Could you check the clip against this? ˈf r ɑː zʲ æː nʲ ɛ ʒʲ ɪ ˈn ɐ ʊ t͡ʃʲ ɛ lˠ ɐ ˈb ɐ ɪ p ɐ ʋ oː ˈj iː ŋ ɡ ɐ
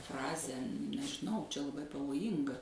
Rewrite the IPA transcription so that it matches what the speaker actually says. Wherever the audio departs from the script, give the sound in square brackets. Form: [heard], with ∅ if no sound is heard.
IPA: ˈf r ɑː zʲ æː nʲ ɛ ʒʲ ɪ ˈn ɐ ʊ t͡ʃʲ ɛ lˠ ɐ ˈb ɐ ɪ p ɐ ʋ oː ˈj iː ŋ ɡ ɐ